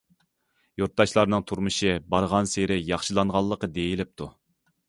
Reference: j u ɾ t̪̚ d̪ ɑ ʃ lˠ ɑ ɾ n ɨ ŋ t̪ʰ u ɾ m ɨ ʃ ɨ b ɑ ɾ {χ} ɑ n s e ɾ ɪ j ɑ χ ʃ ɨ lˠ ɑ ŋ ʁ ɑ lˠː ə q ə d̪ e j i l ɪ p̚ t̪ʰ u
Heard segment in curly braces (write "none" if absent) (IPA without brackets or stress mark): ʁ